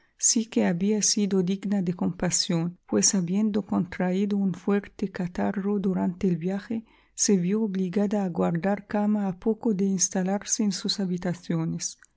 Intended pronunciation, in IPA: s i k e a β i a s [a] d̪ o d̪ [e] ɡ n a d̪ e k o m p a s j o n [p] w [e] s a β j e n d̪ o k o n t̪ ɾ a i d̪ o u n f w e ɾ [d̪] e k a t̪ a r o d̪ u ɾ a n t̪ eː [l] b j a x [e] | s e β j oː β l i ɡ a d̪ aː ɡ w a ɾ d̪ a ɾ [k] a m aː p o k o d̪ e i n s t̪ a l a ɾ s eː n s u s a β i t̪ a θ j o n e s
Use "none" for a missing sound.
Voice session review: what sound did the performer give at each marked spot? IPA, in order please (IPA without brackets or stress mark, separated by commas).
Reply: i, i, p, e, t̪, l, e, k